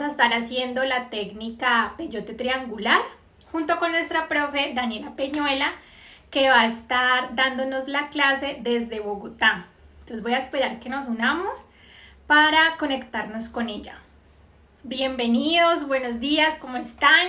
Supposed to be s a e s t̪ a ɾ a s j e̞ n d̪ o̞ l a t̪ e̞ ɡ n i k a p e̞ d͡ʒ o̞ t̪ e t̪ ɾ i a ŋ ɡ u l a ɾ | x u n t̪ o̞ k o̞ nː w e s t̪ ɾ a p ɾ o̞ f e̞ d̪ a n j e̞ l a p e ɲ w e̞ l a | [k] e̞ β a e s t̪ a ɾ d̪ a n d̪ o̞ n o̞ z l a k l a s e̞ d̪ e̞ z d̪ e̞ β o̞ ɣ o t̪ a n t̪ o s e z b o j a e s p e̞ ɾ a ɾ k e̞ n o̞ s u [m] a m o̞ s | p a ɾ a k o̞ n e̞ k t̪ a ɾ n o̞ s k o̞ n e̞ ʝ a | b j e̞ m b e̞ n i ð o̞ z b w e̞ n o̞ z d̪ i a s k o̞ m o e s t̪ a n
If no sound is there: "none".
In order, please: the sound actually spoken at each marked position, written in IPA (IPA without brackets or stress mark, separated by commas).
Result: k, n